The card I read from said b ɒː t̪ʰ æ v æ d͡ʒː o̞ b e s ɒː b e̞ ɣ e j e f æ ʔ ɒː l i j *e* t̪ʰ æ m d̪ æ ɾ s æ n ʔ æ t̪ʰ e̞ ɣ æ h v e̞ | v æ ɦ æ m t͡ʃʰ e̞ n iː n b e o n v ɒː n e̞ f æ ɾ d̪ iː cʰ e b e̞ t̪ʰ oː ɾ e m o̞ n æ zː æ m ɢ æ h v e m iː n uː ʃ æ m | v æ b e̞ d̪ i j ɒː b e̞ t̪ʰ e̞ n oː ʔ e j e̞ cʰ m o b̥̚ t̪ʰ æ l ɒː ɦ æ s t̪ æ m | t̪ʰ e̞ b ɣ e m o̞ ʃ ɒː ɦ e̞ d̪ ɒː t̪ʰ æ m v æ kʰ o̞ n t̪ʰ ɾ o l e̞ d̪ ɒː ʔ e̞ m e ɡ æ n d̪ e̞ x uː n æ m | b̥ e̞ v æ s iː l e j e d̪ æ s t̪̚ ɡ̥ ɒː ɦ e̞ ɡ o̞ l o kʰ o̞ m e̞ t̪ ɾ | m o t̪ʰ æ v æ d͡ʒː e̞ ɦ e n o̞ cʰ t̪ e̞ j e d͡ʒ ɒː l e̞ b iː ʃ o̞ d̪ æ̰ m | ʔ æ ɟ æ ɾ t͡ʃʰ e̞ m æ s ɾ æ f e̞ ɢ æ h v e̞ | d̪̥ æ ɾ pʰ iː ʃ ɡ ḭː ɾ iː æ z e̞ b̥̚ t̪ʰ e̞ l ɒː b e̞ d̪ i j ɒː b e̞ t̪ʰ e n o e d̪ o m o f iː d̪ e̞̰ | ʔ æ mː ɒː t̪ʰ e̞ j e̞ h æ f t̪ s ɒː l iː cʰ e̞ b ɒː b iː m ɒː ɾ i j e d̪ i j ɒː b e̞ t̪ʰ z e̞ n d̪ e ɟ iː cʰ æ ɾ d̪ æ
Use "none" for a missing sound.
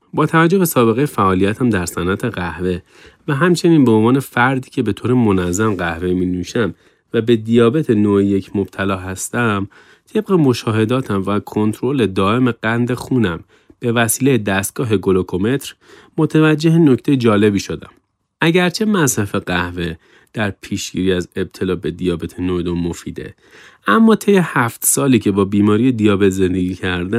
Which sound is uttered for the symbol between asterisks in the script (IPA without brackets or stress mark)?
æ